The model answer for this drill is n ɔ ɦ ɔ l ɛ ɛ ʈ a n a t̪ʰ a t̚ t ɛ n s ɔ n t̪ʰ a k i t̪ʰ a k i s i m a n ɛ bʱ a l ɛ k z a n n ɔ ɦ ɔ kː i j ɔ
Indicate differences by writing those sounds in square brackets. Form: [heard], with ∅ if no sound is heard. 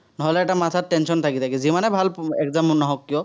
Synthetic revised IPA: n ɔ ɦ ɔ l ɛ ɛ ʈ a [m] a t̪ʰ a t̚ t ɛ n s ɔ n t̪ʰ a k i t̪ʰ a k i [z] i m a n ɛ bʱ a l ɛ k z a [m] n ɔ ɦ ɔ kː i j ɔ